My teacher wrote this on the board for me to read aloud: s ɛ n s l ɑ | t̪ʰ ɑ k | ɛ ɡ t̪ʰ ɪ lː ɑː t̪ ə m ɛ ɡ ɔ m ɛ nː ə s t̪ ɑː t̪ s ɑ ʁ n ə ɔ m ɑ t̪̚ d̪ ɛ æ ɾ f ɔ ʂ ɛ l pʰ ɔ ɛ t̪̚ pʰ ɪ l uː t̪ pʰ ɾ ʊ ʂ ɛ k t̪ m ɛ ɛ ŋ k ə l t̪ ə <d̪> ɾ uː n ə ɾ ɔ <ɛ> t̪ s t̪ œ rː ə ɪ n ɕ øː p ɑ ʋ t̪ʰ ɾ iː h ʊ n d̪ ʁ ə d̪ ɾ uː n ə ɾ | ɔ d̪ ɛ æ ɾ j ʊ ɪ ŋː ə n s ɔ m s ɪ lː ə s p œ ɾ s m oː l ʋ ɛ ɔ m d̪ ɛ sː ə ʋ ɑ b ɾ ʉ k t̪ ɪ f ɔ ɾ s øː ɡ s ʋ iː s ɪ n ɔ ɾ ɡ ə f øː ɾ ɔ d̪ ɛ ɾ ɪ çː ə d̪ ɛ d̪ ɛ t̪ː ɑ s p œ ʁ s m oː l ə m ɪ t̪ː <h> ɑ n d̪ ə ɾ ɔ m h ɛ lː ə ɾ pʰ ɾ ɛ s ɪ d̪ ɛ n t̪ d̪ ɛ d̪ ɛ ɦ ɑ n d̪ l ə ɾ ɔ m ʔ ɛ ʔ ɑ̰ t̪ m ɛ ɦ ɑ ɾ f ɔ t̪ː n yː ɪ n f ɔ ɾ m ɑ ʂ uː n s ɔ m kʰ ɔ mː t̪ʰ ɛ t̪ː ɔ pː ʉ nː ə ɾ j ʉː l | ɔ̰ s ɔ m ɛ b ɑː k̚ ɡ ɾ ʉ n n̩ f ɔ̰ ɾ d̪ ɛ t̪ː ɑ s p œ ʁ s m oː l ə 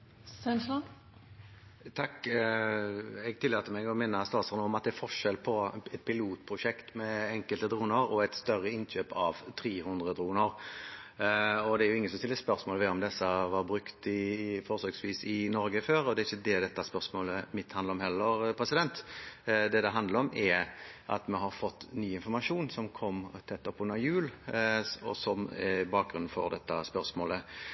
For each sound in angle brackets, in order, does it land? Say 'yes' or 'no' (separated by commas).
yes, yes, yes